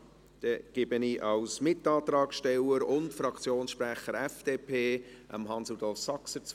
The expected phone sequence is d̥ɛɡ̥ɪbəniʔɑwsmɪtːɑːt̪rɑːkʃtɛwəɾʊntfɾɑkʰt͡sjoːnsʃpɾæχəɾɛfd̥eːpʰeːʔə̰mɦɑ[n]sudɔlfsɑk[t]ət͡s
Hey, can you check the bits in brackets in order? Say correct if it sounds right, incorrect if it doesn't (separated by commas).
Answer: correct, incorrect